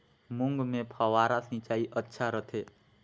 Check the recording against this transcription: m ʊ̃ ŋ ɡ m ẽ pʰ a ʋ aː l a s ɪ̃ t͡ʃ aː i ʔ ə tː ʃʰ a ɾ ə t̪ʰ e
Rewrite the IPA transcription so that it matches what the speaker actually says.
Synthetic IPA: m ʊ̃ ŋ ɡ m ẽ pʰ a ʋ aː ɾ a s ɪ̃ t͡ʃ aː i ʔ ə tː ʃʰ a ɾ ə t̪ʰ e